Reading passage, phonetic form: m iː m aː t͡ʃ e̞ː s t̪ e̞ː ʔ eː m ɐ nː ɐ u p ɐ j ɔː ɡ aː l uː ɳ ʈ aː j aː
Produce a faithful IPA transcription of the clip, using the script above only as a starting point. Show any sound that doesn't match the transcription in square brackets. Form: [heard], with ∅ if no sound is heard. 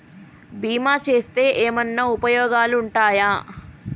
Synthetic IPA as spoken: [b] iː m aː t͡ʃ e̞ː s t̪ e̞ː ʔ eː m ɐ nː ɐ u p ɐ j ɔː ɡ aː l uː ɳ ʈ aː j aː